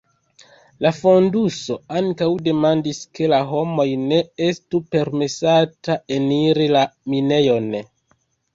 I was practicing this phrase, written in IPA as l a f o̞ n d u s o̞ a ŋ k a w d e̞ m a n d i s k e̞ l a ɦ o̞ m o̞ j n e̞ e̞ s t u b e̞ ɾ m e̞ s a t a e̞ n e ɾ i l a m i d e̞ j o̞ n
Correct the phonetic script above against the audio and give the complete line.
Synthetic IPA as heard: l a f o̞ n d u s o̞ a ŋ k a w d e̞ m a n d i s k e̞ l a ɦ o̞ m o̞ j n e̞ e̞ s t u p e̞ ɾ m e̞ s a t a e̞ n i ɾ i l a m i n e̞ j o̞ n